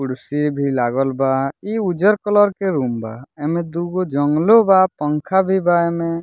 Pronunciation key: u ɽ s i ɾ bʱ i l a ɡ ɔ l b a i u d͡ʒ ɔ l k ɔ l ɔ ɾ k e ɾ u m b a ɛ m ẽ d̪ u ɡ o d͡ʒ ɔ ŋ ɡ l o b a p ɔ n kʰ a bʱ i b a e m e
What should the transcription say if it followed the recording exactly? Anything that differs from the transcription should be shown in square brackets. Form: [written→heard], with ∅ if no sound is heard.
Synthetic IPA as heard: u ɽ s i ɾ bʱ i l a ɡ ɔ l b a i u d͡ʒ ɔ [l→ɾ] k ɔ l ɔ ɾ k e ɾ u m b a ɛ m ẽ d̪ u ɡ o d͡ʒ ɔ ŋ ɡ l o b a p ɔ [n→ŋ] kʰ a bʱ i b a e m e